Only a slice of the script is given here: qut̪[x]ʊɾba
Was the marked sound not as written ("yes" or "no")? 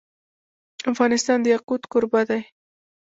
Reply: yes